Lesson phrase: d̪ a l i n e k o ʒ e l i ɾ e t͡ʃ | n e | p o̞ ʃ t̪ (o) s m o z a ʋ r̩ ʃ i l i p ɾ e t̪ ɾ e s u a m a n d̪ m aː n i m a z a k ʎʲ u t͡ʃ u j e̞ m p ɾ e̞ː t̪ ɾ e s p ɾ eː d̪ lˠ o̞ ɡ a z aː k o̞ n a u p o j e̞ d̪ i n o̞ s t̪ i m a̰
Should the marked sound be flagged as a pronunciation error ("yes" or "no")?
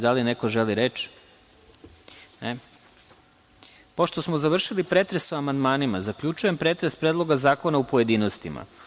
no